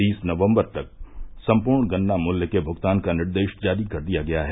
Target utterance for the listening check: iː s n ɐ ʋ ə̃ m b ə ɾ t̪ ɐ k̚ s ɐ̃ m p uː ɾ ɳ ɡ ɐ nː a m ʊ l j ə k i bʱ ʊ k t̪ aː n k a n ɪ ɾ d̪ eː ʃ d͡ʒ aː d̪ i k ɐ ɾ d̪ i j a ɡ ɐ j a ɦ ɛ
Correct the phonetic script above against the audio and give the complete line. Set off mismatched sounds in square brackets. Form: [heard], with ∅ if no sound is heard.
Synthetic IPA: iː s n ɐ ʋ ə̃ m b ə ɾ t̪ ɐ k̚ s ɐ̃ m p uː ɾ ɳ ɡ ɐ nː a m ʊ l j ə k [e] bʱ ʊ [ɡ] t̪ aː n k a n ɪ ɾ d̪ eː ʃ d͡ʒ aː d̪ i k ɐ ɾ d̪ i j a ɡ ɐ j a ɦ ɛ